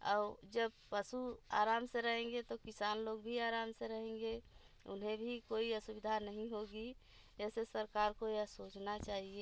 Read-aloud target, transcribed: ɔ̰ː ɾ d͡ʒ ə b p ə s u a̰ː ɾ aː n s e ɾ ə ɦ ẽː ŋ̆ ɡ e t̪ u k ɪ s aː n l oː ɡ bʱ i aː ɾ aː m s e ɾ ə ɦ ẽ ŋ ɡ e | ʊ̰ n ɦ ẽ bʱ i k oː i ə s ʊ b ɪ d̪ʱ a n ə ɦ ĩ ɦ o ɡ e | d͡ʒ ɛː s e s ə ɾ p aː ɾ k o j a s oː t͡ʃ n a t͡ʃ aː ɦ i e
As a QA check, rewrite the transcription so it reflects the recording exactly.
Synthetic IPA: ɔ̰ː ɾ d͡ʒ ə b p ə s u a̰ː ɾ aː m s e ɾ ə ɦ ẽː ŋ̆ ɡ e t̪ o k ɪ s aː n l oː ɡ bʱ i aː ɾ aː m s e ɾ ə ɦ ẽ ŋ ɡ e | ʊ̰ n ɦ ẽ bʱ i k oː i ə s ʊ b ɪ d̪ʱ a n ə ɦ ĩ ɦ o ɡ i | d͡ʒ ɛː s e s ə ɾ k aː ɾ k o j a s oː t͡ʃ n a t͡ʃ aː ɦ i e